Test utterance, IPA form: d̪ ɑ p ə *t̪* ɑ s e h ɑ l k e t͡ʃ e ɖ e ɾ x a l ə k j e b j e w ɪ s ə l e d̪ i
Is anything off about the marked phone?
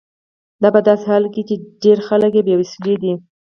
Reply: yes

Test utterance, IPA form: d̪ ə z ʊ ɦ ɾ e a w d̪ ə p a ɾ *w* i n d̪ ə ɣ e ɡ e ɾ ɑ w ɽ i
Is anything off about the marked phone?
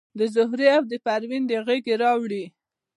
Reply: no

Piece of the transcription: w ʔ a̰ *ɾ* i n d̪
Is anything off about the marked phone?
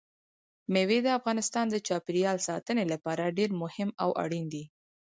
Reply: yes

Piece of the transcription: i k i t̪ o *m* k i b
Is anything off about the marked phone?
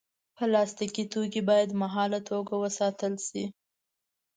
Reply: yes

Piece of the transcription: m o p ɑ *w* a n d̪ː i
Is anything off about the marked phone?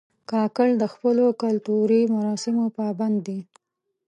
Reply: yes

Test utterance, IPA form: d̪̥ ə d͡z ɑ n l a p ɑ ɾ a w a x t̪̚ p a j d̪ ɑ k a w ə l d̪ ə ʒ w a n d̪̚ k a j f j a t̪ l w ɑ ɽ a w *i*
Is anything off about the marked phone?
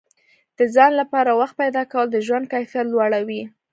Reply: no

